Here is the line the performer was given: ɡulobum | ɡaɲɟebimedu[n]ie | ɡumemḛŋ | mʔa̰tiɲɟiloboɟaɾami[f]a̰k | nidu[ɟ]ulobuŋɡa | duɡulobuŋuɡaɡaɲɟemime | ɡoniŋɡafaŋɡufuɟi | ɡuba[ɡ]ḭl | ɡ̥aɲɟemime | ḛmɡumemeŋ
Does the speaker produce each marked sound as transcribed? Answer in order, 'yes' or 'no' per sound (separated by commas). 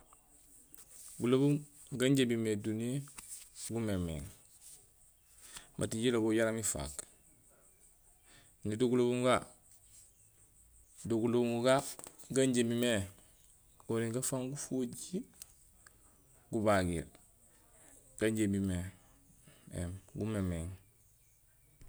yes, yes, no, yes